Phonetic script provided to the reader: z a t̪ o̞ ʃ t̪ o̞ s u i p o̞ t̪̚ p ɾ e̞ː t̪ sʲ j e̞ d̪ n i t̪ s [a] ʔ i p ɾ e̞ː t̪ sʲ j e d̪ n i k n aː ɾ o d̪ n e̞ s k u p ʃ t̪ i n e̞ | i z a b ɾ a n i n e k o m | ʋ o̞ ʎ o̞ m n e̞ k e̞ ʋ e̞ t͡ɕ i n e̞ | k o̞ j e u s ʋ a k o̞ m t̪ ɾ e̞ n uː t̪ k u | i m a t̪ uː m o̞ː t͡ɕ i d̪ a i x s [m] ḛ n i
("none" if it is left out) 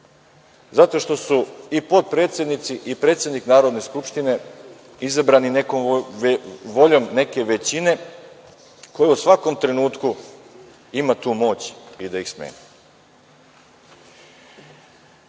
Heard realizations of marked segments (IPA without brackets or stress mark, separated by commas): i, m